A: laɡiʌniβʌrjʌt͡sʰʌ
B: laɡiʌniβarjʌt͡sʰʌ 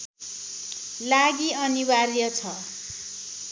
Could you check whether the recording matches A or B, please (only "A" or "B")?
B